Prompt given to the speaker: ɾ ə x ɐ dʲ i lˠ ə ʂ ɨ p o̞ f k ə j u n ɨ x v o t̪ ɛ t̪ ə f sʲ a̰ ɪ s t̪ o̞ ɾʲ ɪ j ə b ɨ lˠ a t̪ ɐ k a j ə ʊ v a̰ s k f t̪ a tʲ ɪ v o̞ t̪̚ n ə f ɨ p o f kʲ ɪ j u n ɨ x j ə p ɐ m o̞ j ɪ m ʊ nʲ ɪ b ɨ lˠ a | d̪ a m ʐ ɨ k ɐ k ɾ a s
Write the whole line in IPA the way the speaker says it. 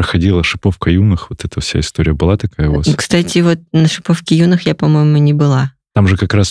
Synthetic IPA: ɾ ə x ɐ dʲ i lˠ ə ʂ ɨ p o̞ f k ə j u n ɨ x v o t̪ ɛ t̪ ə f sʲ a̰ ɪ s t̪ o̞ ɾʲ ɪ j ə b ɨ lˠ a t̪ ɐ k a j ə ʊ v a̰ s k s t̪ a tʲ ɪ v o̞ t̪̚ n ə ʂ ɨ p o f kʲ ɪ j u n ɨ x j a p ɐ m o̞ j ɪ m ʊ nʲ ɪ b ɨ lˠ a | t̪ a m ʐ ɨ k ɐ k ɾ a s